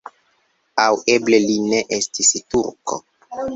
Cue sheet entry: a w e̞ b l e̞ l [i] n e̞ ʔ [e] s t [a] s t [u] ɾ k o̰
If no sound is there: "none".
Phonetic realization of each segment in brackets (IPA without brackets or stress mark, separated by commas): i, e, i, u